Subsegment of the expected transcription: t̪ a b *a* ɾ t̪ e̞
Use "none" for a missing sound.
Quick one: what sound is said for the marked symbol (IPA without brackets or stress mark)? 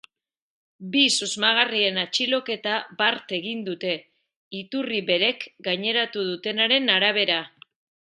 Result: a